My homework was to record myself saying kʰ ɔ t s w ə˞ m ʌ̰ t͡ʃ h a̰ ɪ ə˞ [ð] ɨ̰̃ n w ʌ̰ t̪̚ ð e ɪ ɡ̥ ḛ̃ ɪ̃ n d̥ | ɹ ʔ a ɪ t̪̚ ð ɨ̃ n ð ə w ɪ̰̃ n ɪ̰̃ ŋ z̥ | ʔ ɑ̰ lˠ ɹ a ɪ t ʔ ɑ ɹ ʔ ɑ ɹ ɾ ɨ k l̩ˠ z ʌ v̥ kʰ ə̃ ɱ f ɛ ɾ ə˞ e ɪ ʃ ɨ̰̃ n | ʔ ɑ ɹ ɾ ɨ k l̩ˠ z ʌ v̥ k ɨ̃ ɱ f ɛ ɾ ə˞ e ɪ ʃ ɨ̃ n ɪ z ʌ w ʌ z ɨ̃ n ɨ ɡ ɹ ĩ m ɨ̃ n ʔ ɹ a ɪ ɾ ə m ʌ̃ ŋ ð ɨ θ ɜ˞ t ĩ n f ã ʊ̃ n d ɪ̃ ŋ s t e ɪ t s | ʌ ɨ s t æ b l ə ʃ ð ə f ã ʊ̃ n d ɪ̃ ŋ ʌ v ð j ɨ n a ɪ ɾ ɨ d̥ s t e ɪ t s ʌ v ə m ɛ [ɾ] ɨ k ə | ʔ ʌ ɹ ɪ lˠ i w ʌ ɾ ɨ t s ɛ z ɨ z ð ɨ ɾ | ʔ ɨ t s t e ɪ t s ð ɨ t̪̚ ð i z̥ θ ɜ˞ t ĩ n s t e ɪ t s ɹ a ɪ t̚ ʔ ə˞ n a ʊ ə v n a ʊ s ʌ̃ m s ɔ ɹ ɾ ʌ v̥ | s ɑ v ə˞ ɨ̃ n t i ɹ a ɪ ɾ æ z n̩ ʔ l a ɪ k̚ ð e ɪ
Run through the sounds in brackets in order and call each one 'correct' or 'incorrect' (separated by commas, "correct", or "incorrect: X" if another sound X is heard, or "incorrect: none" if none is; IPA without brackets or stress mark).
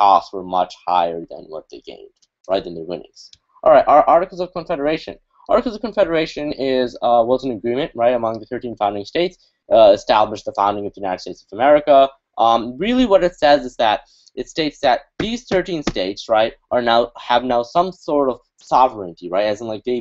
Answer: correct, incorrect: ɹ